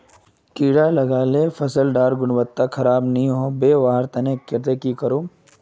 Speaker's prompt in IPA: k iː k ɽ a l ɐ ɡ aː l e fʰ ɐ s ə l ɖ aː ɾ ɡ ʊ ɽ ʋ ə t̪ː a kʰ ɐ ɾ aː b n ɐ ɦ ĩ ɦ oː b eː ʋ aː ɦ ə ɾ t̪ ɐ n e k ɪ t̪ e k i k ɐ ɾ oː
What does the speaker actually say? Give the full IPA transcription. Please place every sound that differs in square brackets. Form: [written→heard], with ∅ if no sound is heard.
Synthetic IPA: k iː [k→∅] ɽ a l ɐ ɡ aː l e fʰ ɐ s ə l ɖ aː ɾ ɡ ʊ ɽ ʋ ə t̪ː a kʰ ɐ ɾ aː b n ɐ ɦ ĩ ɦ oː b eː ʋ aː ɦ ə ɾ t̪ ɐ n e k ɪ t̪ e k i k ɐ ɾ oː

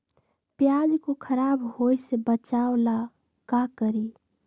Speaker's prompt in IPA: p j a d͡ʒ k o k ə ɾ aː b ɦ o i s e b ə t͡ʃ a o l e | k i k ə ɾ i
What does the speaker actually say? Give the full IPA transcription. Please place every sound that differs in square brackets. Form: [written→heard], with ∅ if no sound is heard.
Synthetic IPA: p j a d͡ʒ k o [k→kʰ] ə ɾ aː b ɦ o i s e b ə t͡ʃ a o l [e→a] | k [i→a] k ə ɾ i

